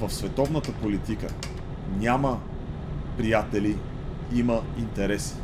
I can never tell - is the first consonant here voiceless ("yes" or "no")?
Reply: no